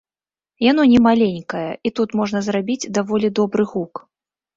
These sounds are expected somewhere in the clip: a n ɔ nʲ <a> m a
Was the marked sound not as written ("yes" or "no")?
yes